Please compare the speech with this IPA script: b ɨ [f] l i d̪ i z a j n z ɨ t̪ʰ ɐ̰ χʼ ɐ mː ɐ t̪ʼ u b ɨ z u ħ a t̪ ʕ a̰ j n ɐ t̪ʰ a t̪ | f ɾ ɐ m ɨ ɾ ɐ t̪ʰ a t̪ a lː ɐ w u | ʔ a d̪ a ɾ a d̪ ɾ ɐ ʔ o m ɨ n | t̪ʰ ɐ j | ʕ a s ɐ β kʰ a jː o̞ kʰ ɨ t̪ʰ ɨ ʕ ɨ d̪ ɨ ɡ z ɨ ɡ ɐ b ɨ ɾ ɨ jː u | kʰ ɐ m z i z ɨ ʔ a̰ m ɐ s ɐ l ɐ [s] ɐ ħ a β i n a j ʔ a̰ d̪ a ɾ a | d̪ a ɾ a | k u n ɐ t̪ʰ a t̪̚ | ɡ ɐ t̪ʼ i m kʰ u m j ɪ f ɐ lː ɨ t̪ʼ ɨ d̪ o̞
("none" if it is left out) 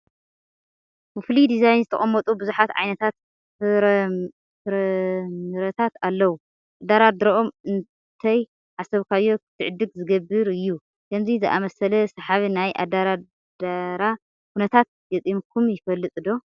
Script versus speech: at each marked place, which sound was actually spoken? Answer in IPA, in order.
f, s

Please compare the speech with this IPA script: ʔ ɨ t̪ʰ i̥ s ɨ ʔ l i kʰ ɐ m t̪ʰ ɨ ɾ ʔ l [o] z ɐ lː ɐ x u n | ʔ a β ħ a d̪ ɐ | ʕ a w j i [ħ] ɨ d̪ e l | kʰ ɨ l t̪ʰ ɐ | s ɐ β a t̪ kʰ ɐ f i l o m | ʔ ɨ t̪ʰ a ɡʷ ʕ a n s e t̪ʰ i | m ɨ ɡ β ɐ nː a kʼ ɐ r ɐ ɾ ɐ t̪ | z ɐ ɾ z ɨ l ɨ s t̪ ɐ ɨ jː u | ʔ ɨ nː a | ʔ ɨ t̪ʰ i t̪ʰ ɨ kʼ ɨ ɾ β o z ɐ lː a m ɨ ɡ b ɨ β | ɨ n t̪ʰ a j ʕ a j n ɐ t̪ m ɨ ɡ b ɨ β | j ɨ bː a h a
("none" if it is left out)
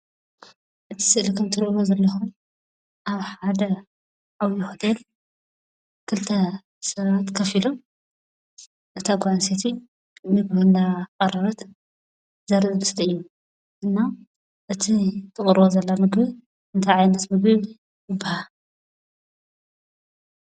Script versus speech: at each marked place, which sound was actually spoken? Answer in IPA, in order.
o, x

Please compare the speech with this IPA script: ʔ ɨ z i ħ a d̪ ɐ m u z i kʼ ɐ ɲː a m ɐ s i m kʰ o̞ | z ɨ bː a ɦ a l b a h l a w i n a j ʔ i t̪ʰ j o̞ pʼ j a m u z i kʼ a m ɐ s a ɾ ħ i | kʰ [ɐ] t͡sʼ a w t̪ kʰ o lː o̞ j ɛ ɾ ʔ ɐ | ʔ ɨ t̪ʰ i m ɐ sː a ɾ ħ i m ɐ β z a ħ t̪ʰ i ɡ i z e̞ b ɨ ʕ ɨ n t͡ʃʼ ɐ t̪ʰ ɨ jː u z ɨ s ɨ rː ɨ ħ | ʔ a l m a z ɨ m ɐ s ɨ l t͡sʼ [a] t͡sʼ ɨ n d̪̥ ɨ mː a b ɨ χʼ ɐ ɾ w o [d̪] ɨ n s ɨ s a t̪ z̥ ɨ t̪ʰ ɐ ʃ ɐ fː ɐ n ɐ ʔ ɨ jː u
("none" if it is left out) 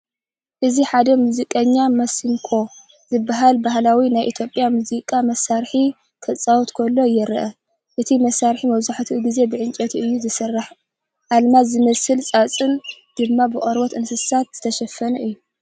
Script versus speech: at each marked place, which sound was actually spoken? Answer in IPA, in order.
ɐ, a, t̪

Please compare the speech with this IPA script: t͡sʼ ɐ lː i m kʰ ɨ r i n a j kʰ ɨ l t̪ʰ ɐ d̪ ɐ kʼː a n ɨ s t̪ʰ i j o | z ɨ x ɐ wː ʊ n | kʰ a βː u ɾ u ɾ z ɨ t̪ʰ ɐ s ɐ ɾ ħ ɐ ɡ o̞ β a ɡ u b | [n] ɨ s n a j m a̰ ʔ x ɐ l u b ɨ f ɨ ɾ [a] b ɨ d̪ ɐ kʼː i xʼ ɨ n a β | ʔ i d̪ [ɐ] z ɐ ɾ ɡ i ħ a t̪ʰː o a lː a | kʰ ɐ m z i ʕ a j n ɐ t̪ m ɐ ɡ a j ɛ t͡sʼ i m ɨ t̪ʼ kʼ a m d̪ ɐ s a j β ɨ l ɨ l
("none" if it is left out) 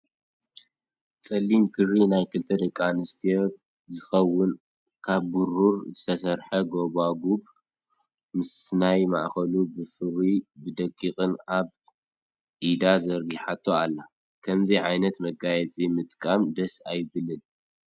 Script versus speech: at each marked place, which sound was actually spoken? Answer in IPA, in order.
m, i, a

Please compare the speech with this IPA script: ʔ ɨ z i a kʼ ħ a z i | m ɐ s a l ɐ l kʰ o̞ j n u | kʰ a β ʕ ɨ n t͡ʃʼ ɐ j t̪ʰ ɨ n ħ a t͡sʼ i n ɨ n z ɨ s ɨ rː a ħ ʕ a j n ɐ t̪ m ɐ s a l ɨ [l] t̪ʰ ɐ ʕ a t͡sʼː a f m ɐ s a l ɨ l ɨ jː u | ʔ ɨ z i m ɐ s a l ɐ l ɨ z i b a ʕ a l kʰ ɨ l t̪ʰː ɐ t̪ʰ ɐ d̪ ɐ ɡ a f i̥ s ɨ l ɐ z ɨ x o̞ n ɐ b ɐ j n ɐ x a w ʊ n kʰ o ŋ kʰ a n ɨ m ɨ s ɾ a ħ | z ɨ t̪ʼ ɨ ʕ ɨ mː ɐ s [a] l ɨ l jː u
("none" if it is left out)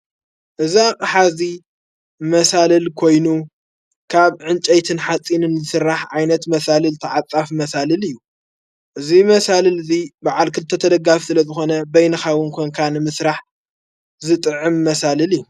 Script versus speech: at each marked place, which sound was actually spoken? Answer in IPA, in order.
l, a

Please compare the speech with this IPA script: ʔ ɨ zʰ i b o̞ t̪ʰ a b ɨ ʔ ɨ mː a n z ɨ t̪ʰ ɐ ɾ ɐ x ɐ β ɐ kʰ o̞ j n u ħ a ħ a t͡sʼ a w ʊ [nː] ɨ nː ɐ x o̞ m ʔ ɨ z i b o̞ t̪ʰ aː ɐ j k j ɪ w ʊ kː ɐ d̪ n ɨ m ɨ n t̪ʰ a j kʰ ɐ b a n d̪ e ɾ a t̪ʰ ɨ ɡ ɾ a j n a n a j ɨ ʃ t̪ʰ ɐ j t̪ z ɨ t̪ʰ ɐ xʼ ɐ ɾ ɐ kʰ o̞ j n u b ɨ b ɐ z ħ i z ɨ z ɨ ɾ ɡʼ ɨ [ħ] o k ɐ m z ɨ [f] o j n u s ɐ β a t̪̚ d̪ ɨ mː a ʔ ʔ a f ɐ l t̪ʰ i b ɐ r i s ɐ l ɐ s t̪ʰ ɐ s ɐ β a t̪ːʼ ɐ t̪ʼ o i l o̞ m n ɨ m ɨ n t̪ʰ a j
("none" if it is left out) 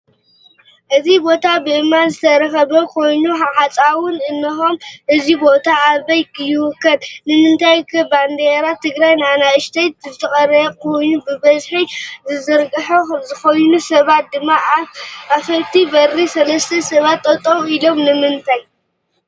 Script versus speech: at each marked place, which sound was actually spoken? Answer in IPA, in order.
n, ħ, x

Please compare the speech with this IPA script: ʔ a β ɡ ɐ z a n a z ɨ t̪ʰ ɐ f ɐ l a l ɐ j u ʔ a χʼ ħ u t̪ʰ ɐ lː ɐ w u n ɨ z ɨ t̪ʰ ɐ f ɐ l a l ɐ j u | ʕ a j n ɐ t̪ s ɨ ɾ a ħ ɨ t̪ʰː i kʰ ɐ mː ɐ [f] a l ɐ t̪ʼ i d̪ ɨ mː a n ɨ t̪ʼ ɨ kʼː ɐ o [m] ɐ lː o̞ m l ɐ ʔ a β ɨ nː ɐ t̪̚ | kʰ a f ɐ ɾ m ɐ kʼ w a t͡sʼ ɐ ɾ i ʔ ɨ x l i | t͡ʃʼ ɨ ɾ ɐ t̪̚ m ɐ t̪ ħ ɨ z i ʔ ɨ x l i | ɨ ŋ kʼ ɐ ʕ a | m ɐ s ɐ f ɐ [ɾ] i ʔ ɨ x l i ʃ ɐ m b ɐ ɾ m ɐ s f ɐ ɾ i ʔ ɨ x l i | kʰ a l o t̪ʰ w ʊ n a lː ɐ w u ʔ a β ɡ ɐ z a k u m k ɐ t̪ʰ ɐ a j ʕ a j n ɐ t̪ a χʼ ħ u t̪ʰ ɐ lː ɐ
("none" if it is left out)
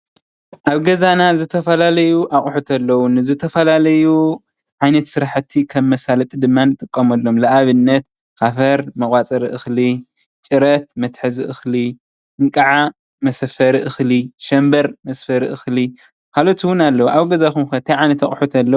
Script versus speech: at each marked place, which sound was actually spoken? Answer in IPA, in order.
s, m, ɾ

